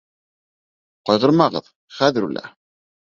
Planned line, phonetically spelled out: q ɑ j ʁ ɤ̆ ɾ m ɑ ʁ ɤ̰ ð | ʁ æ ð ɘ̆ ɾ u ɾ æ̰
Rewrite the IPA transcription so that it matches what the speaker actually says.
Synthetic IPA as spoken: q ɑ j ʁ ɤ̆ ɾ m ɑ ʁ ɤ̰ ð | χ æ ð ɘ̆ ɾ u l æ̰